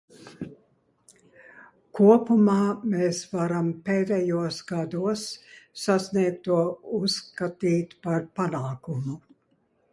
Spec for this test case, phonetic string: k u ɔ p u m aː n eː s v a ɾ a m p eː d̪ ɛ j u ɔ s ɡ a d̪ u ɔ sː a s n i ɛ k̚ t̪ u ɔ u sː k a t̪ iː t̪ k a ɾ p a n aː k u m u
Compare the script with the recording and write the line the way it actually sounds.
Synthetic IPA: k u ɔ p u m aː m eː s v a ɾ a m p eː d̪ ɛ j u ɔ s ɡ a d̪ u ɔ sː a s n i ɛ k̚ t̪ u ɔ u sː k a t̪ iː t̪ p a ɾ p a n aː k u m u